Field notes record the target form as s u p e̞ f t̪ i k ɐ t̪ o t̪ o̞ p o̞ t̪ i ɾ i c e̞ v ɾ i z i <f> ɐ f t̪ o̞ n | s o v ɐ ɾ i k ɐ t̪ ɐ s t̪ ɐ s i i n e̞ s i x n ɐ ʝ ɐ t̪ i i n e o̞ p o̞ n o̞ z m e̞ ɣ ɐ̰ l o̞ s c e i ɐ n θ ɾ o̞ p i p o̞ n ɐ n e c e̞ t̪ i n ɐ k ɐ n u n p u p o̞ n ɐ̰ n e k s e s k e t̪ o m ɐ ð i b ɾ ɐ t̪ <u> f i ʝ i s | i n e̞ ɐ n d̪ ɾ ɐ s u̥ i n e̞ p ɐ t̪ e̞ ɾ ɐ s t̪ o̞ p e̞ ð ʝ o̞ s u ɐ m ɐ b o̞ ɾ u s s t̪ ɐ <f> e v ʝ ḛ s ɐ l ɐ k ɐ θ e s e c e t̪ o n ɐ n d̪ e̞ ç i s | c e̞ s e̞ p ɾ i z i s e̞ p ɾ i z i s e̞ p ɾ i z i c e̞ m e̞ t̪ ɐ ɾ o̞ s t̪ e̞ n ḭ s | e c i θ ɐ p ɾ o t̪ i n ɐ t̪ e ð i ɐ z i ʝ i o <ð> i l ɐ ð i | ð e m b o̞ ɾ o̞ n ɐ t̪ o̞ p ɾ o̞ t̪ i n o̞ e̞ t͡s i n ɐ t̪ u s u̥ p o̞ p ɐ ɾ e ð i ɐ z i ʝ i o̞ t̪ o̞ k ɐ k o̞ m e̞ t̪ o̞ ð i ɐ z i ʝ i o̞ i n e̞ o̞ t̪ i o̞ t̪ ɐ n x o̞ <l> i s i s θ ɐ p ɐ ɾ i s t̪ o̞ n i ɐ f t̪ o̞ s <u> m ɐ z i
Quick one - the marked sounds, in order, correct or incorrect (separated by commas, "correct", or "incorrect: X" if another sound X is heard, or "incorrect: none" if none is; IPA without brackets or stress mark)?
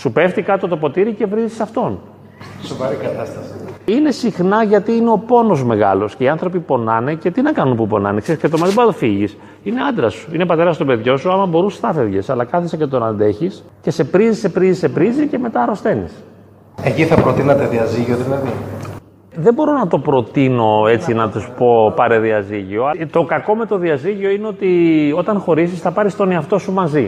incorrect: s, incorrect: o, correct, correct, incorrect: ɾ, correct